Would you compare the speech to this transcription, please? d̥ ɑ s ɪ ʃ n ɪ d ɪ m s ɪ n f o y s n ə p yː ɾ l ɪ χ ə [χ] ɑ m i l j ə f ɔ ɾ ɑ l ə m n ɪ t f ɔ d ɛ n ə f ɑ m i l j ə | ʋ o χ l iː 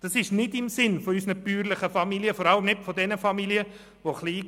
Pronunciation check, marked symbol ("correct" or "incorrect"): incorrect